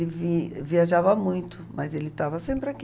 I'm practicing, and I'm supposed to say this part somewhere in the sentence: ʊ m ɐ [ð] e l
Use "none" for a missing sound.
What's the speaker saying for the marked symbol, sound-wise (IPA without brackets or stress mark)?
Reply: z